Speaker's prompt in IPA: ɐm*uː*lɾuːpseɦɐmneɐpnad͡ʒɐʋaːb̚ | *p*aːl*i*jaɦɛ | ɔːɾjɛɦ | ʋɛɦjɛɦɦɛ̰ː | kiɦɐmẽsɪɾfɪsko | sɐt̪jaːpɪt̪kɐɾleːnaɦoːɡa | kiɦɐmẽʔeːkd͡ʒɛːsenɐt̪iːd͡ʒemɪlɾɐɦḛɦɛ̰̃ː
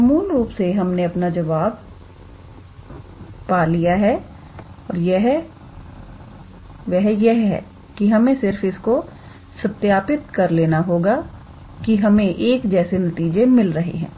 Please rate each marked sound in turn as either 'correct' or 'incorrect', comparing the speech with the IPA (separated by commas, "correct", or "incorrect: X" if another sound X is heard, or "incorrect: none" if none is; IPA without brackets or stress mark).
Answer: correct, correct, correct